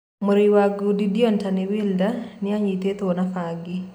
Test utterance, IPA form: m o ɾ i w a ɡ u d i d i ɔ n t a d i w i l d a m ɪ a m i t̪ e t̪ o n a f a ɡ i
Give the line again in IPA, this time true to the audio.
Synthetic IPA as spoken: m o ɾ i w a ɡ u d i d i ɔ n t a n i w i l d a n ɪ a ɲ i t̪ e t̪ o n a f a ɡ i